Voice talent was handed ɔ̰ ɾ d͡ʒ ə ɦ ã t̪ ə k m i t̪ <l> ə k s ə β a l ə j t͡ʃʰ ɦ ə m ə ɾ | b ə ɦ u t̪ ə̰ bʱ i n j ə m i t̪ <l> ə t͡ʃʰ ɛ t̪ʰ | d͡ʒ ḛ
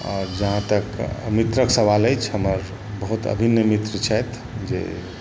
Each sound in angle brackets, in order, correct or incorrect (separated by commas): incorrect, incorrect